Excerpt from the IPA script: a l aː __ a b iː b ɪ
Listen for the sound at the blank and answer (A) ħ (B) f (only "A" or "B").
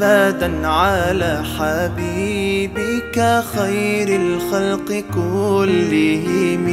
A